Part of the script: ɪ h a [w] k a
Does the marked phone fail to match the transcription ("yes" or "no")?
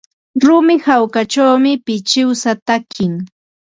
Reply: no